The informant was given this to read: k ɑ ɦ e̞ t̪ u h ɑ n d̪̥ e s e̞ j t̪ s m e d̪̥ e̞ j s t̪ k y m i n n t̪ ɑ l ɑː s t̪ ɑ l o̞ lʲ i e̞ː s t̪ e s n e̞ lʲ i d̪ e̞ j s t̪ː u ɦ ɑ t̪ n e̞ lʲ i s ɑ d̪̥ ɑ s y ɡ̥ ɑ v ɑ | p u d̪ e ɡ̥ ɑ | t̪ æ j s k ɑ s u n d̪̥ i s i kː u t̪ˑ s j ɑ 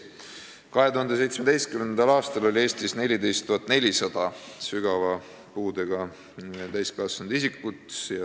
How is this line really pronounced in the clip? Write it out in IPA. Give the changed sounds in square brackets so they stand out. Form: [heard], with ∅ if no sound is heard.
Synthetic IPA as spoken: k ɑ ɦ e̞ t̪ u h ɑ n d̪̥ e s e̞ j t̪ s m e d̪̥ e̞ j s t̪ k y m [e] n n [d̪] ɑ l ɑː s t̪ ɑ l o̞ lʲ i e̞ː s t̪ [i] s n e̞ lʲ i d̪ e̞ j s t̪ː u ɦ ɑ t̪ n e̞ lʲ i s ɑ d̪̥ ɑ s y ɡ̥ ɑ v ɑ | p [uː] d̪ e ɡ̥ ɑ | t̪ æ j s k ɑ s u n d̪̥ i s i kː u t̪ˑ s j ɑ